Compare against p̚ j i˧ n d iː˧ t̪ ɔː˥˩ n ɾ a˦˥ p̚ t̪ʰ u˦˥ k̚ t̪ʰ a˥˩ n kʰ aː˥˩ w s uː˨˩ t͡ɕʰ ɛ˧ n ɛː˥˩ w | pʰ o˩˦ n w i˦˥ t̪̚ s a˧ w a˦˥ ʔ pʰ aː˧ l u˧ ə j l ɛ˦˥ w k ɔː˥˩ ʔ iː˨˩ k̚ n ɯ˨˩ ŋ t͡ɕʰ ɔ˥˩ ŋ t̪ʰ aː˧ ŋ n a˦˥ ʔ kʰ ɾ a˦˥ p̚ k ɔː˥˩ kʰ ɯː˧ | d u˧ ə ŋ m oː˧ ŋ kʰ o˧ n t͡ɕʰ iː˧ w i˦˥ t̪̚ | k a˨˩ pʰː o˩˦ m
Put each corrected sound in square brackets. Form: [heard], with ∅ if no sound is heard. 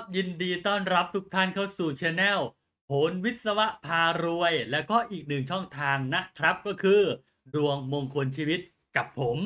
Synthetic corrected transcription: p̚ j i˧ n d iː˧ t̪ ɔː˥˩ n ɾ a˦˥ p̚ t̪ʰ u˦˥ k̚ t̪ʰ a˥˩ n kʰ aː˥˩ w s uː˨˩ t͡ɕʰ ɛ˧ n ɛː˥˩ w | pʰ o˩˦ n w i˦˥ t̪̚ s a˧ w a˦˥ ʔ pʰ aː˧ [ɾ] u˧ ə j l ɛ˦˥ w k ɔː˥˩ ʔ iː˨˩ k̚ n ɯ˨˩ ŋ t͡ɕʰ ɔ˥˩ ŋ t̪ʰ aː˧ ŋ n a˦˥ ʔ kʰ ɾ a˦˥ p̚ k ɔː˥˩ kʰ ɯː˧ | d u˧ ə ŋ m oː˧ ŋ kʰ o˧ n t͡ɕʰ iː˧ w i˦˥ t̪̚ | k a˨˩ pʰː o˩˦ m